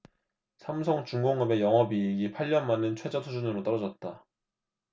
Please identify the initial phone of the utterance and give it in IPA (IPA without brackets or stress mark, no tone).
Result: sʰ